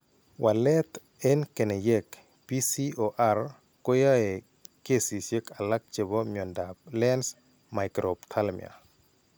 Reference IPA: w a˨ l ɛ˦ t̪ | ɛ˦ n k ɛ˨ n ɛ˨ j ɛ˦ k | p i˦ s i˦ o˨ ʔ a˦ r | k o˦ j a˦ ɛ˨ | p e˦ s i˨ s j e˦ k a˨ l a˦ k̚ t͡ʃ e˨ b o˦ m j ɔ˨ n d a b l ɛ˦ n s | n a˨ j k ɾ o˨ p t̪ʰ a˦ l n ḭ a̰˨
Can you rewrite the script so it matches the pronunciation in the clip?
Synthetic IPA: w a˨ l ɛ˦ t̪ | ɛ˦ n k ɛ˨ n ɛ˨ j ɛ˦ k | p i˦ s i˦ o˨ ʔ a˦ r | k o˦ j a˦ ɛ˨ | k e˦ s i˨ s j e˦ k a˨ l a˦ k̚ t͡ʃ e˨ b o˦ m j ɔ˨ n d a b l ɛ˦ n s | m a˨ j k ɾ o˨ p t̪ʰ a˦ l m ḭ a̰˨